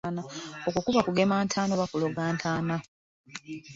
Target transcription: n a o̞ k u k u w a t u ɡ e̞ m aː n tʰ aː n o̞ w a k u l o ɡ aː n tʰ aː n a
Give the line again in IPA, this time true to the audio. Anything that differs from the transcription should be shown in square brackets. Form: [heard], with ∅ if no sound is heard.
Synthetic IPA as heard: n a o̞ k u k u [β] a [k] u ɡ e̞ m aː n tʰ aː n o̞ [β] a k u l o ɡ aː n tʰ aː n a